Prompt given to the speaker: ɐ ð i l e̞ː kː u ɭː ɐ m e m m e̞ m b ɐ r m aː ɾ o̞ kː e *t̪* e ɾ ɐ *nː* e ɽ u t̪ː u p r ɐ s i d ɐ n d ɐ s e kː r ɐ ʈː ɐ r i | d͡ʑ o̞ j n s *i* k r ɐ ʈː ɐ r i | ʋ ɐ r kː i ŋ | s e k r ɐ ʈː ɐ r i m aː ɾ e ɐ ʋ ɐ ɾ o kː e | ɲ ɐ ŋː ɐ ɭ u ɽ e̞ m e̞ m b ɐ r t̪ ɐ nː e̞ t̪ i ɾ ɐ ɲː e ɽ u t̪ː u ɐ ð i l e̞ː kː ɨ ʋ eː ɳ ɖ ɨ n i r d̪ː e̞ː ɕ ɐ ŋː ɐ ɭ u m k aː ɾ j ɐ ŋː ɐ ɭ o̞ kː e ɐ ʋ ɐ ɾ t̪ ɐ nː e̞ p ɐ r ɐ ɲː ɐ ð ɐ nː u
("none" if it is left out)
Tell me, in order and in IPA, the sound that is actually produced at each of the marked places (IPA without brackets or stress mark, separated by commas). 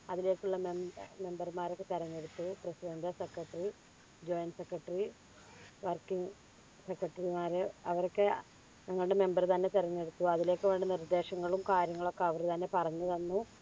t̪, ɲː, e